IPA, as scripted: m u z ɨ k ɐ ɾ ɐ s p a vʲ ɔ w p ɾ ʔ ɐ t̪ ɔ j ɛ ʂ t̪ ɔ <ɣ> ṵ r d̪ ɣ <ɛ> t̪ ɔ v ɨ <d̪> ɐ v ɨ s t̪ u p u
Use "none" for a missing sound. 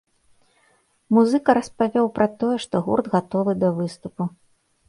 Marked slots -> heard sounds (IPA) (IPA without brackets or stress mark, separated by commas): ɣ, a, d̪